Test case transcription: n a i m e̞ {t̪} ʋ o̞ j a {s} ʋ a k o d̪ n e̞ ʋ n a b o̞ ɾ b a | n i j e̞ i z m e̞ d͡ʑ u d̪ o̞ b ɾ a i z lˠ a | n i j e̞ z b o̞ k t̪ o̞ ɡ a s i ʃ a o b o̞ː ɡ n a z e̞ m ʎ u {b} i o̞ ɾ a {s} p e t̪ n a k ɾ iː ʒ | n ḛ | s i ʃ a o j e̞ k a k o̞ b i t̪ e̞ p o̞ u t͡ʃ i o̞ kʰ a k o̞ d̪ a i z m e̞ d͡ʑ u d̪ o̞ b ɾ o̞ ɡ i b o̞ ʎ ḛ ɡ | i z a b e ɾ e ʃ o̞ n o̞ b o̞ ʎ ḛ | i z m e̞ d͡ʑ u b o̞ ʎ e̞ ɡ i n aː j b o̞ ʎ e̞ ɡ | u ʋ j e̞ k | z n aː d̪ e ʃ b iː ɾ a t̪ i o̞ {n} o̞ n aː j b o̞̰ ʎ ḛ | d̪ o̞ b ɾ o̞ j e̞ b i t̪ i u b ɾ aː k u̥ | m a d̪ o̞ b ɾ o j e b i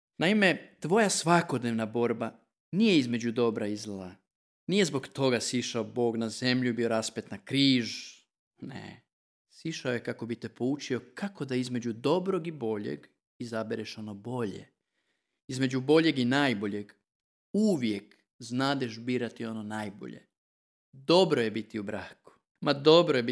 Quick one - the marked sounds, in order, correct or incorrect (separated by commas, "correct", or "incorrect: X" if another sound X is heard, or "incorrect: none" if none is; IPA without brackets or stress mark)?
correct, correct, correct, correct, correct